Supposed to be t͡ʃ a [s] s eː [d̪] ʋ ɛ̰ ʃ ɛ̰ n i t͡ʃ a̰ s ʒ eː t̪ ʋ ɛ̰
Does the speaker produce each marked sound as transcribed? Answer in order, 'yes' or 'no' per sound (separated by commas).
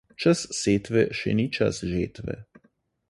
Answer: yes, no